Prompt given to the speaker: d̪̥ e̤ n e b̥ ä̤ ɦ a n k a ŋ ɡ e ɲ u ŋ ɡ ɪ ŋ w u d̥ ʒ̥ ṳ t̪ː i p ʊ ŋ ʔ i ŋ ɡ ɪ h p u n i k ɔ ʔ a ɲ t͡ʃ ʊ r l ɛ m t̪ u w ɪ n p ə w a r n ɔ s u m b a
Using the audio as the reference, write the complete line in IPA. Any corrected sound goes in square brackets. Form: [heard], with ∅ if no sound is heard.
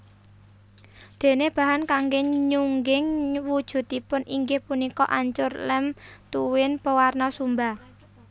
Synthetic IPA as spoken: d̪̥ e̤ n e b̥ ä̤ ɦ a n k a ŋ ɡ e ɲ u ŋ ɡ ɪ ŋ w u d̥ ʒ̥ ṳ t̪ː i p ʊ [n] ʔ i ŋ ɡ ɪ h p u n i k ɔ ʔ a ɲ t͡ʃ ʊ r l ɛ m t̪ u w ɪ n p ə w a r n ɔ s u m b a